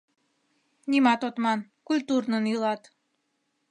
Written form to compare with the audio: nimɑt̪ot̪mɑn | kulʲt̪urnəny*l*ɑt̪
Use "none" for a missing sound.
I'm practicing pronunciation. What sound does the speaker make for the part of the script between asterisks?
l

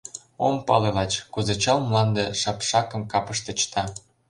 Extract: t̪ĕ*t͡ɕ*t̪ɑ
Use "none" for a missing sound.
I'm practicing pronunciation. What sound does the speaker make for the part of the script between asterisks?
t͡ɕ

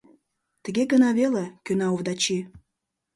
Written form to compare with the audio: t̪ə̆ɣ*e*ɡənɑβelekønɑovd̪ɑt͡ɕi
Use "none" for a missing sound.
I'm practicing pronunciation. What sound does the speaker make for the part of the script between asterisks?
e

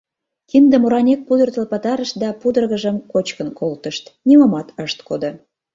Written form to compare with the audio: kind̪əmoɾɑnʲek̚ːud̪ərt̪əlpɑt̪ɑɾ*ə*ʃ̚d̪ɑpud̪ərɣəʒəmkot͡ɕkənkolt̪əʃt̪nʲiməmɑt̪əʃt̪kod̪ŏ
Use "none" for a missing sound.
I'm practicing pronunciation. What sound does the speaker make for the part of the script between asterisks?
ə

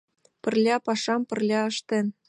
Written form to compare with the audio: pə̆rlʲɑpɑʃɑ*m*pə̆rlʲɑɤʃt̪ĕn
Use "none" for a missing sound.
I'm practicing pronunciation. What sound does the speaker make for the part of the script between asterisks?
m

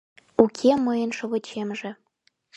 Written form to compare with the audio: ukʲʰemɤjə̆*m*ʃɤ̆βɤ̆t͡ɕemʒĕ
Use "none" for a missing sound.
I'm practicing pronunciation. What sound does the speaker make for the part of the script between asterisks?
n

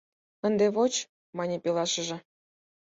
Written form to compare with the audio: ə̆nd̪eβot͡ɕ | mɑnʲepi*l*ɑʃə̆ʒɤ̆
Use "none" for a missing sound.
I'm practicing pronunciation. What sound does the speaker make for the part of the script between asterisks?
l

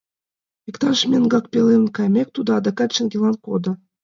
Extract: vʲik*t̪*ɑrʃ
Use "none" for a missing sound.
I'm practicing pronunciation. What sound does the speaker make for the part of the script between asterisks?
t̪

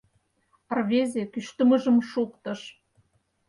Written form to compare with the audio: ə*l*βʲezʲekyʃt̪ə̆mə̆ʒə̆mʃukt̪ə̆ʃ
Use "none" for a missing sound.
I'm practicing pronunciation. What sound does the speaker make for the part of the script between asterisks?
r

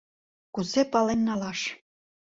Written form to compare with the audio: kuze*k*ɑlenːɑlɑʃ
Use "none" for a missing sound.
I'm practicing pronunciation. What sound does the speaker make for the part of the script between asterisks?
p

